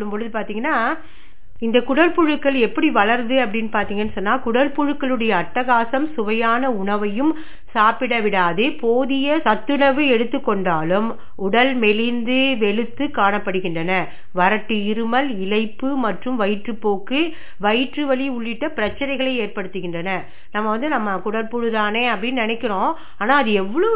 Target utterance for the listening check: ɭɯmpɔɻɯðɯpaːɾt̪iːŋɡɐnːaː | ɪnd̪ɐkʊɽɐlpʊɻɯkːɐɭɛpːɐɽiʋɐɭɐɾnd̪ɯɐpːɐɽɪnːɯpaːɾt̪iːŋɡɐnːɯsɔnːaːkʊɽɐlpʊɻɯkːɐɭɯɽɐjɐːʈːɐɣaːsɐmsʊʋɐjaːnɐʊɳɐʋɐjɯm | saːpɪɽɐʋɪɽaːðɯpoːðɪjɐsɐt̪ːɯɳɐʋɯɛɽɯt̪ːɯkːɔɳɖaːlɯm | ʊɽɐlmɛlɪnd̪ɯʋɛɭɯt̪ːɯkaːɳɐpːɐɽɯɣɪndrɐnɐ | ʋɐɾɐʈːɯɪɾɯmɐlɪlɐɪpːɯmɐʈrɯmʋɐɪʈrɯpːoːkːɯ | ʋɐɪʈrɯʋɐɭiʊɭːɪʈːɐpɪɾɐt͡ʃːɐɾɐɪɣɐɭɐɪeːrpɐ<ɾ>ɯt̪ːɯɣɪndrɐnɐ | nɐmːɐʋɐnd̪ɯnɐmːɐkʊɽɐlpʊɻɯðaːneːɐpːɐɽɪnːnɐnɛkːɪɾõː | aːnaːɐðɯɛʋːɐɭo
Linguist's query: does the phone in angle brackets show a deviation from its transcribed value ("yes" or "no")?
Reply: yes